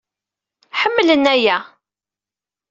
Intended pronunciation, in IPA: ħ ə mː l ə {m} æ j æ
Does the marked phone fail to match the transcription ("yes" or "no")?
yes